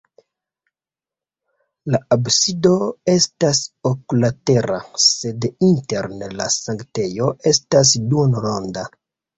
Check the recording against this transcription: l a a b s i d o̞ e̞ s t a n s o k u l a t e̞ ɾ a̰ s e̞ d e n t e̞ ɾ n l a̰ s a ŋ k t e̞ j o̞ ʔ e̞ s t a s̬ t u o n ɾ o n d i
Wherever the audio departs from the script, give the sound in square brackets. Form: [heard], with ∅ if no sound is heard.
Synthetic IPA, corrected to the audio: l a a b s i d o̞ e̞ s t a [∅] s o k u l a t e̞ ɾ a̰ s e̞ d [i] n t e̞ ɾ n l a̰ s a ŋ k t e̞ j o̞ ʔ e̞ s t a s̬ [d] u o n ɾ o n d [a]